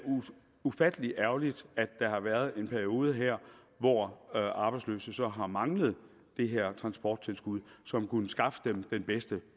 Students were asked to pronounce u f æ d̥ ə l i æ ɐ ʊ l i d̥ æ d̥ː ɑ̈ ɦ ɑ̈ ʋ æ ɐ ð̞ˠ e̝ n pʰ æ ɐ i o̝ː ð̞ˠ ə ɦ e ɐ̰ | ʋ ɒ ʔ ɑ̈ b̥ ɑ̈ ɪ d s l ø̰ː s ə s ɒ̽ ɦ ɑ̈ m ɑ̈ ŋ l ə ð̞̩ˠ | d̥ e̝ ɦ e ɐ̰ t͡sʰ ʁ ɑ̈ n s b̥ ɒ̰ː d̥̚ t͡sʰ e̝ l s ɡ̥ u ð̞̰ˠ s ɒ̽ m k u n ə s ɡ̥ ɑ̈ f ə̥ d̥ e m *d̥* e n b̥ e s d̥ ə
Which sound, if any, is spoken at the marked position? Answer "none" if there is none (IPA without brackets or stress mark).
d̥